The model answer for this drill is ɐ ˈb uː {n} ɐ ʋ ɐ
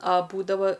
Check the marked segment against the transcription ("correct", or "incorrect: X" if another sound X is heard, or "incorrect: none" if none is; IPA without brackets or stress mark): incorrect: d